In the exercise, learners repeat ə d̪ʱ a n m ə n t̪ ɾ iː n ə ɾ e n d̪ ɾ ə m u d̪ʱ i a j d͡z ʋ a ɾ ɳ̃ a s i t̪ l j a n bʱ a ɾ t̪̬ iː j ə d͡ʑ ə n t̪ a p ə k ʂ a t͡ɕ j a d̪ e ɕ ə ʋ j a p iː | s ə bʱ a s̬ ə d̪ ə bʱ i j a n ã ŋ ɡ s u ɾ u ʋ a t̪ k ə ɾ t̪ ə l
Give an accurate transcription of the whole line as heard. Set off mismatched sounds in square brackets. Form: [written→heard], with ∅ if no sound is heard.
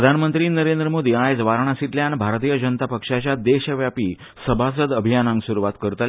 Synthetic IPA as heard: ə d̪ʱ a n m ə n t̪ ɾ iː n ə ɾ e n d̪ ɾ ə m [u→o] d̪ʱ i a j d͡z ʋ a ɾ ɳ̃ a s i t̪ l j a n bʱ a ɾ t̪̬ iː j ə d͡ʑ ə n t̪ a p ə k ʂ a t͡ɕ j a d̪ e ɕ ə ʋ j a p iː | s ə bʱ a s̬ ə d̪ ə bʱ i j a n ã ŋ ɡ s u ɾ u ʋ a t̪ k ə ɾ t̪ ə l